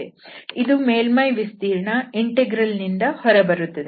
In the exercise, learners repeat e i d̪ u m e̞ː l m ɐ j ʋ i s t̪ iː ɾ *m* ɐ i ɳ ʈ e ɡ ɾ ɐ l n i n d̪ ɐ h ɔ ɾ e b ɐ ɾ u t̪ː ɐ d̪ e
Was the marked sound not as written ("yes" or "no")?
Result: yes